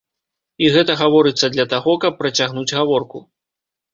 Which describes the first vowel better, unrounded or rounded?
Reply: unrounded